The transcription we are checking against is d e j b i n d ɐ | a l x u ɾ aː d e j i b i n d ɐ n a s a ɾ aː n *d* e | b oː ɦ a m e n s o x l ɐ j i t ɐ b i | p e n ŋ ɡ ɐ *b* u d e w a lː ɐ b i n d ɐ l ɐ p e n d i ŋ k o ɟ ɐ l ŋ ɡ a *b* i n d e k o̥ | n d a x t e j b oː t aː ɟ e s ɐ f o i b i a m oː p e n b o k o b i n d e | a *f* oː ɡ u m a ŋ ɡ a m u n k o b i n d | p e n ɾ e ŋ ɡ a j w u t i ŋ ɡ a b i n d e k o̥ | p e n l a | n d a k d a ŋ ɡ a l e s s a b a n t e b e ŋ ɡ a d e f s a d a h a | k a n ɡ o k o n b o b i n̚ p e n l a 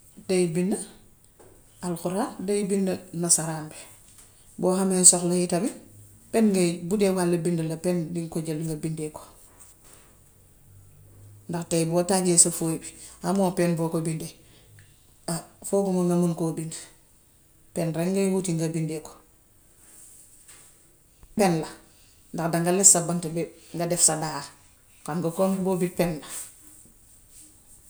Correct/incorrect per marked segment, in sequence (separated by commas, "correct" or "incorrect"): incorrect, correct, correct, correct